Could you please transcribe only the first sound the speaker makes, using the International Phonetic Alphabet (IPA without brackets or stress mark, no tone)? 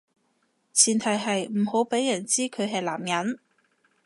t͡sʰ